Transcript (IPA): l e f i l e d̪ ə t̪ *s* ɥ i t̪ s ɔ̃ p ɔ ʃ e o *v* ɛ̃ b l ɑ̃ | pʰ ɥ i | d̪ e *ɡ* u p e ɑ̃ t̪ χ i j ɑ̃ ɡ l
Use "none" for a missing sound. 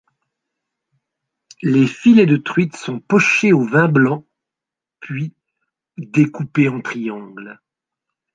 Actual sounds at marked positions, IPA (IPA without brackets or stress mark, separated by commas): χ, v, k